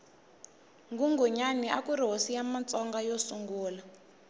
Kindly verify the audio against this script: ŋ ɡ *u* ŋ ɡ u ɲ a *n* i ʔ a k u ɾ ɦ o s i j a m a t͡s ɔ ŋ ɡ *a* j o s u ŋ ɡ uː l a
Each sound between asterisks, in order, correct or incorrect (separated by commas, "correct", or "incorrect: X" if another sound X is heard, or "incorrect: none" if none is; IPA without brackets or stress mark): correct, correct, correct